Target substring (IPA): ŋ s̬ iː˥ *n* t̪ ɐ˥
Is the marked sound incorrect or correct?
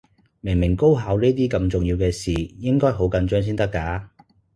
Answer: correct